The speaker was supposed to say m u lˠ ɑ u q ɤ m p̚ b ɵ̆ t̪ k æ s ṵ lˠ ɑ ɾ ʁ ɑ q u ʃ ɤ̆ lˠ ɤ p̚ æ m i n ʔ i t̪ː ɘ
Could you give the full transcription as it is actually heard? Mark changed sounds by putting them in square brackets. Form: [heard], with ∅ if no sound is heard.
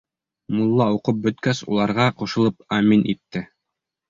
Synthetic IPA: m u [lˠː] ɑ u q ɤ [∅] p̚ b ɵ̆ t̪ k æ s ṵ lˠ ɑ ɾ ʁ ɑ q u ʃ ɤ̆ lˠ ɤ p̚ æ m i n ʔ i t̪ː ɘ